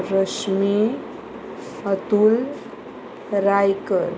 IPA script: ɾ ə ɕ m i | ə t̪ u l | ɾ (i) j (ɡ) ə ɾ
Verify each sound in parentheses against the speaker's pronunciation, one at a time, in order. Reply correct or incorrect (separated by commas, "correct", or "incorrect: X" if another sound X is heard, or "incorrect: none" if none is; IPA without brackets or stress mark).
incorrect: a, incorrect: k